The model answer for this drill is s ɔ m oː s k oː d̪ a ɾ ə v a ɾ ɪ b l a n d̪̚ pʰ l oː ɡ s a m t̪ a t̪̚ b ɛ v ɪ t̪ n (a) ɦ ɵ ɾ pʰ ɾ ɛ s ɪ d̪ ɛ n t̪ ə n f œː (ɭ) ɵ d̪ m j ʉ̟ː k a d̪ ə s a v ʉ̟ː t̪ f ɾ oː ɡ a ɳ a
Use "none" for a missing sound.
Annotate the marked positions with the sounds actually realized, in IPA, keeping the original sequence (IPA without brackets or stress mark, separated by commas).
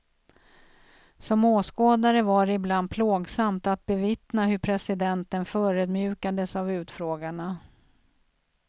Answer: a, ɾ